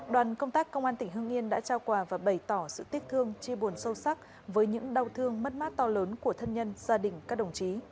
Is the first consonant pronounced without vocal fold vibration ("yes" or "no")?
no